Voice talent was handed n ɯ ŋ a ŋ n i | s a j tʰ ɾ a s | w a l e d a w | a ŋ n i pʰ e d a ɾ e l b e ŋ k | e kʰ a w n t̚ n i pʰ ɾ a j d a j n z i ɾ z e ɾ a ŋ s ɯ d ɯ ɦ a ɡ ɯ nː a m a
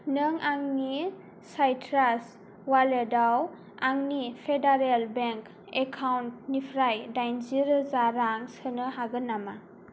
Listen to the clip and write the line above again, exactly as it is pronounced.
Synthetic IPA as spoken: n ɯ ŋ a ŋ n i | s a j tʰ ɾ a s | w a l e d a w | a ŋ n i pʰ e d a ɾ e l b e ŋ k | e kʰ a w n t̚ n i pʰ ɾ a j d a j n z i ɾ z a ɾ a ŋ s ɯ n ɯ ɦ a ɡ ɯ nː a m a